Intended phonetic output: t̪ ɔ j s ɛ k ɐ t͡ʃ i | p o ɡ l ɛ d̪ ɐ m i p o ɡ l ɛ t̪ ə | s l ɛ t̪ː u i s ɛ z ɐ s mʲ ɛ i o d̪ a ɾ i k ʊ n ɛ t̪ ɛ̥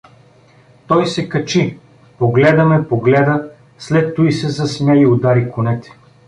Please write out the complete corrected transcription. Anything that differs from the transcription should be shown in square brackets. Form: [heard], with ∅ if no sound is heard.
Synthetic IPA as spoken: t̪ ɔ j s ɛ k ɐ t͡ʃ i | p o ɡ l ɛ d̪ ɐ m [ɛ] p o ɡ l ɛ [d̪] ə | s l ɛ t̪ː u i s ɛ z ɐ s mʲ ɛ i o d̪ a ɾ i k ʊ n ɛ t̪ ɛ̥

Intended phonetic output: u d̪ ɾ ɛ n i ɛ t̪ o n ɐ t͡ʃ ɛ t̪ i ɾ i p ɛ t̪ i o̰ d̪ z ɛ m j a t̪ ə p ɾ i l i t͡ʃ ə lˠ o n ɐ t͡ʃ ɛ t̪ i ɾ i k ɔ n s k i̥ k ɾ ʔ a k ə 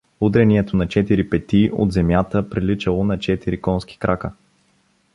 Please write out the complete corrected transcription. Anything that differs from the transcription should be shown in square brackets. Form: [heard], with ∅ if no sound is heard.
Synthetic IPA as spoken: u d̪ ɾ ɛ n i ɛ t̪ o n ɐ t͡ʃ ɛ t̪ i ɾ i p ɛ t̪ i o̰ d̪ z ɛ m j a t̪ ə p ɾ i l i t͡ʃ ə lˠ o n ɐ t͡ʃ ɛ t̪ i ɾ i k ɔ n s k i̥ k ɾ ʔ a k ə

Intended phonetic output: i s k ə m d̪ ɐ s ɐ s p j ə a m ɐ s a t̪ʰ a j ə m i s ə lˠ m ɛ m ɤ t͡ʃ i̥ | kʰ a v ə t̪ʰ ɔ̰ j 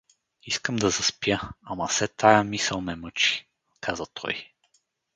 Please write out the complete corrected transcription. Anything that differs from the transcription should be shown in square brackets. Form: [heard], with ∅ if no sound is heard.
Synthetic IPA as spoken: i s k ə m d̪ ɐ [z] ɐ s p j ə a m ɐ s [ɛ] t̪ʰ a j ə m i s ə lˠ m ɛ m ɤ t͡ʃ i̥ | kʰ a [z] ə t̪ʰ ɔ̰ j

